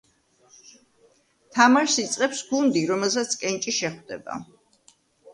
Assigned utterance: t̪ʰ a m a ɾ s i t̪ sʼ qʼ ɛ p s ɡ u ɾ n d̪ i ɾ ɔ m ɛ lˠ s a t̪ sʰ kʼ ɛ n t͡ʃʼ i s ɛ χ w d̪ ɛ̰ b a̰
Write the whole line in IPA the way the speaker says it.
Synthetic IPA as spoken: t̪ʰ a m a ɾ s i t̪ sʼ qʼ ɛ p s ɡ u n d̪ i ɾ ɔ m ɛ lˠ s a t̪ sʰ kʼ ɛ n t͡ʃʼ i ʃ ɛ χ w d̪ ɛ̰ b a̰